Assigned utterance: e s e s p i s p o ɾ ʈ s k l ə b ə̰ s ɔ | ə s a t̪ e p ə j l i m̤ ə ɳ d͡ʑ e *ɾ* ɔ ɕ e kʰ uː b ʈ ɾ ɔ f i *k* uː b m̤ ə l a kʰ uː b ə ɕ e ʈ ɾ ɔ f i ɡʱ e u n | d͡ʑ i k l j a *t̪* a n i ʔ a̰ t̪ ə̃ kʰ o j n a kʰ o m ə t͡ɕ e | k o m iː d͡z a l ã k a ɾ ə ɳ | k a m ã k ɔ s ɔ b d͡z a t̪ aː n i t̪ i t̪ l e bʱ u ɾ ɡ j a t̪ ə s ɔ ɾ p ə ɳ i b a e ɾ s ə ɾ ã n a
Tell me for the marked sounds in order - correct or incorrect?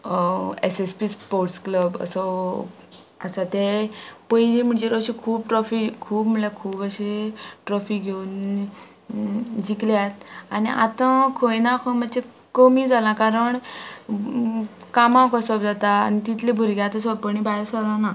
correct, incorrect: kʰ, correct

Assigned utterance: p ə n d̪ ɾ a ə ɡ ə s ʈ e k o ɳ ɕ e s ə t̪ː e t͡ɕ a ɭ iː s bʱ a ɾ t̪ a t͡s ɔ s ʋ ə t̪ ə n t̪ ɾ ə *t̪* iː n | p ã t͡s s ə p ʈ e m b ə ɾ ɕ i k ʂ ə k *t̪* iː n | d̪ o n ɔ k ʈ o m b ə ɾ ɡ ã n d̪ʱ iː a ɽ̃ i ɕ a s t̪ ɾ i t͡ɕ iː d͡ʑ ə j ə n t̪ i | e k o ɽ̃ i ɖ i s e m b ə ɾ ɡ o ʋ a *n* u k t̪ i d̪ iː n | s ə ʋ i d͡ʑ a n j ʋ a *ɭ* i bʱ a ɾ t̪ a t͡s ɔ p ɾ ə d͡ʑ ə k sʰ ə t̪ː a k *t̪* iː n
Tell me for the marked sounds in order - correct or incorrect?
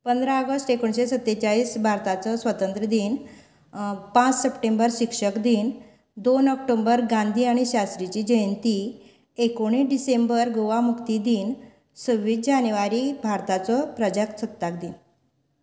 incorrect: d̪, incorrect: d̪, incorrect: m, incorrect: ɾ, incorrect: d̪

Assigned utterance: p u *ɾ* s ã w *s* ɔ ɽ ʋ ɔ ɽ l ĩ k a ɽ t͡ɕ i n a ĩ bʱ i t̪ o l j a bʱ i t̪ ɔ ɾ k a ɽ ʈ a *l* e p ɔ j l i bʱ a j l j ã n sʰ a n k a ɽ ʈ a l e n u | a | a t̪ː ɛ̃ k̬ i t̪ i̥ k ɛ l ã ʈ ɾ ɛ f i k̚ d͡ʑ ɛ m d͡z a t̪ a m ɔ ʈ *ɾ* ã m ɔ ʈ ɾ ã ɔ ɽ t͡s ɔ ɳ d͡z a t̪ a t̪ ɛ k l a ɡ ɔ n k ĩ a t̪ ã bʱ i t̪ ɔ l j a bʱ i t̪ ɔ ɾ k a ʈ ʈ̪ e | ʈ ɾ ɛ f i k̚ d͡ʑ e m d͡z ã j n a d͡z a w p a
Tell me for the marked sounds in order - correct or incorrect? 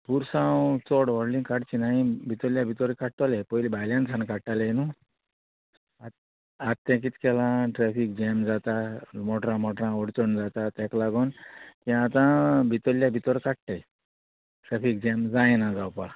correct, incorrect: t͡s, correct, correct

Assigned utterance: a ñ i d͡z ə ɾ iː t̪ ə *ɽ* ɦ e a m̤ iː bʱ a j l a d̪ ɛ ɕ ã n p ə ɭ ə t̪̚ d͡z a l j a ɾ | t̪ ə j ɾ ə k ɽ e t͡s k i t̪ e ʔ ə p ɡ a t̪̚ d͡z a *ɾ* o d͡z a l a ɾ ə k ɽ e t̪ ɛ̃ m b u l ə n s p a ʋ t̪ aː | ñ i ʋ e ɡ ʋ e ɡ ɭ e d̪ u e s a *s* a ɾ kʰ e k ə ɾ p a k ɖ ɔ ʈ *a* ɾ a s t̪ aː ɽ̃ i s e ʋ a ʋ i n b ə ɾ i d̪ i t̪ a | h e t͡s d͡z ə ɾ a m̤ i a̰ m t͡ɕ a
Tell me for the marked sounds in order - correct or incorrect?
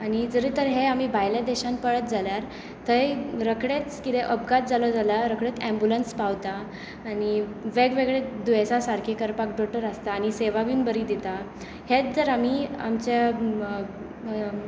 incorrect: ɾ, incorrect: l, correct, incorrect: ə

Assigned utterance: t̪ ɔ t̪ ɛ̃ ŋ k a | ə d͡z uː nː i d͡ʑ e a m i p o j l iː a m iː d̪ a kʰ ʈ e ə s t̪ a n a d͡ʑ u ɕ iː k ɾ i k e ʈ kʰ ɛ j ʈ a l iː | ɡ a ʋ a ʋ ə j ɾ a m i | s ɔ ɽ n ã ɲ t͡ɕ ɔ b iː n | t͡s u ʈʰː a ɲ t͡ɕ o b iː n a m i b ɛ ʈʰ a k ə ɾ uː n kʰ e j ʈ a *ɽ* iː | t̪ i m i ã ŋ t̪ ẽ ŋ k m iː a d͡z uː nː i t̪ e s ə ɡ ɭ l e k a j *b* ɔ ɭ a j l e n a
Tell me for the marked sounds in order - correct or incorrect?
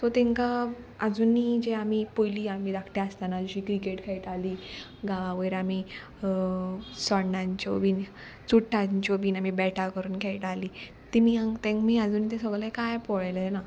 incorrect: l, incorrect: p

